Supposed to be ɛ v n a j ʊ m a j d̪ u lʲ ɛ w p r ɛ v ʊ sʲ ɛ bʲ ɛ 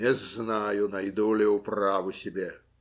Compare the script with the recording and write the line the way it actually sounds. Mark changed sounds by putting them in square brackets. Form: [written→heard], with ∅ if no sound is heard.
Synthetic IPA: ɛ [v→z] n a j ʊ [m→n] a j d̪ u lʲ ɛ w p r [ɛ→a] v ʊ sʲ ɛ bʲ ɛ